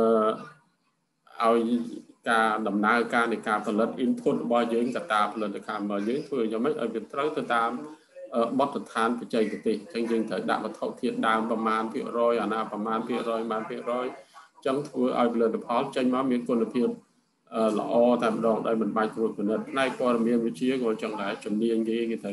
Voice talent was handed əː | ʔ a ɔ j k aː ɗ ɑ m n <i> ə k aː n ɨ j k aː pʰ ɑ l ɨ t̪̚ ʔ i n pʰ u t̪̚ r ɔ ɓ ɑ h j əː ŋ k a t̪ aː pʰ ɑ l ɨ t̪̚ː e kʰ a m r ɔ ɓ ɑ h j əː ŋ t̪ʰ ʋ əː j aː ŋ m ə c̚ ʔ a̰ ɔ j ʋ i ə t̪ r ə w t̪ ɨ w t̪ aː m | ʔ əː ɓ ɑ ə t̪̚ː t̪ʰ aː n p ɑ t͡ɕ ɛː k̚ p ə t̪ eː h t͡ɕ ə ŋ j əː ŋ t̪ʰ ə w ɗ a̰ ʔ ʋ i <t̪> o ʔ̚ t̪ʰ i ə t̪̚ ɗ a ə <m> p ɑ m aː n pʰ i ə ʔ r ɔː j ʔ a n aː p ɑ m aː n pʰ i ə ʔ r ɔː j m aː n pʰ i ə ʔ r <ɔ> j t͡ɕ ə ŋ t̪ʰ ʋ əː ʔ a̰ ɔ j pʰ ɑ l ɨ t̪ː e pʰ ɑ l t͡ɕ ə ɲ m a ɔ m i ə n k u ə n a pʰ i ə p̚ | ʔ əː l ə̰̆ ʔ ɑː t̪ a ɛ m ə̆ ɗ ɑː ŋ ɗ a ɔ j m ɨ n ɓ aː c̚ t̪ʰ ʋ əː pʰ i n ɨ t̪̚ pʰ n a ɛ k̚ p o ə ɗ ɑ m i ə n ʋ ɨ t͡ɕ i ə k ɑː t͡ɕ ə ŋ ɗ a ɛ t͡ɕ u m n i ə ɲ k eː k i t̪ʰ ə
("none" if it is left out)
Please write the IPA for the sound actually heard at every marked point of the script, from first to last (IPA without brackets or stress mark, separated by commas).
a, t̪ʰ, m, ɔː